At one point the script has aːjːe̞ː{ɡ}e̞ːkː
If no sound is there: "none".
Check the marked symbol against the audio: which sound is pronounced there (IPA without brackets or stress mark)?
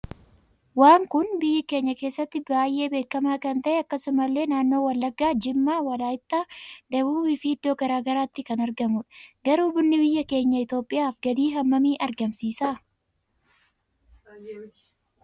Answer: b